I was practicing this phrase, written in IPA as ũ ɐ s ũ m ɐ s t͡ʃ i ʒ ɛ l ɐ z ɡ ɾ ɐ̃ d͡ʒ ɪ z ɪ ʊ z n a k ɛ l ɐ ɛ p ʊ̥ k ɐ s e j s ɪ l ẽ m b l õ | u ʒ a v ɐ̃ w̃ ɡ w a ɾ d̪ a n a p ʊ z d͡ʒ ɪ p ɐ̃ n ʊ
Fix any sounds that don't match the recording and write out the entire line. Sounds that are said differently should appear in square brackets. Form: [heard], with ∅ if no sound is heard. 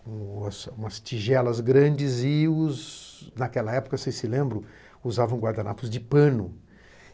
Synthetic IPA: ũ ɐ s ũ m ɐ s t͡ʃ i ʒ ɛ l ɐ z ɡ ɾ ɐ̃ d͡ʒ ɪ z ɪ ʊ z n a k ɛ l ɐ ɛ p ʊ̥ k ɐ s e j s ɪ l ẽ m b [ɾ] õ | u [z] a v ɐ̃ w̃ ɡ w a ɾ d̪ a n a p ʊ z d͡ʒ ɪ p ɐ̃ n ʊ